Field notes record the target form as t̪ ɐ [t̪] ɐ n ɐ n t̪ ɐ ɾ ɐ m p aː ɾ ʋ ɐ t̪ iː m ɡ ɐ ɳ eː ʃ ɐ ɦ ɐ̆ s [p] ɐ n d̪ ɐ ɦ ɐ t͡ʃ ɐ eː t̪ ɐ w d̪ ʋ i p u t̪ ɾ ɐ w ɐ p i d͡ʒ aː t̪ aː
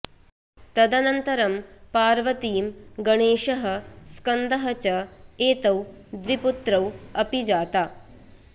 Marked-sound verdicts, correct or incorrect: incorrect, incorrect

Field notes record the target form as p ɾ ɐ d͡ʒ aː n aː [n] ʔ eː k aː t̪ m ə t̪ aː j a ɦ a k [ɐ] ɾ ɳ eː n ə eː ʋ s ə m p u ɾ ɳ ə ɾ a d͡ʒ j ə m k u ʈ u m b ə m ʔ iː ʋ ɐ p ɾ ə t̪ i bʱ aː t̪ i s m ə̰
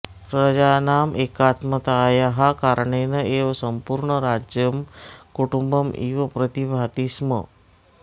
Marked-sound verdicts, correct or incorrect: incorrect, incorrect

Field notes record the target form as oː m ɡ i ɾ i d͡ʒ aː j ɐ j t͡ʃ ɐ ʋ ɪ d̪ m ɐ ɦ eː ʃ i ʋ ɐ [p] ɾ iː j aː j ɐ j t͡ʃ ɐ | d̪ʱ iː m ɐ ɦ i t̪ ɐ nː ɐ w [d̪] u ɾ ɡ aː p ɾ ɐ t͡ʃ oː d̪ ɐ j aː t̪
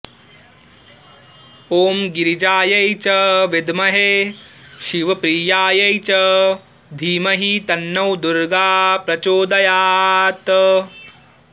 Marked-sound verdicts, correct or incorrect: correct, correct

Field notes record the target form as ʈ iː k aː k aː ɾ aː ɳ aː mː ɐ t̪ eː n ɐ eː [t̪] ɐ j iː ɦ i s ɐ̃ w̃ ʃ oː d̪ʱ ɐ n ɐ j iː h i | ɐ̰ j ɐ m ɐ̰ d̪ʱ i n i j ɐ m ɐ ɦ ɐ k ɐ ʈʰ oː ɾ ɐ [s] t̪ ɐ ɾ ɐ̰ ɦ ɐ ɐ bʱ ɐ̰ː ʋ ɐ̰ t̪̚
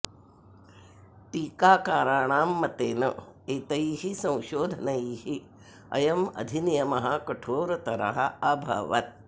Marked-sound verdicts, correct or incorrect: correct, incorrect

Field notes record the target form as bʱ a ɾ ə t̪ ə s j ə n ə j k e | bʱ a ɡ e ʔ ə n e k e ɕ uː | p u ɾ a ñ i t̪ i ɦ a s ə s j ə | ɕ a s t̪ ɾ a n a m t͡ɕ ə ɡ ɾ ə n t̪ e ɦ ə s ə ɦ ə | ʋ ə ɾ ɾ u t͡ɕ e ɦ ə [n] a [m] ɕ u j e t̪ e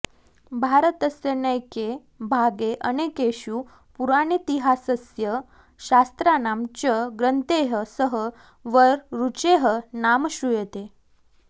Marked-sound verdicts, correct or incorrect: correct, correct

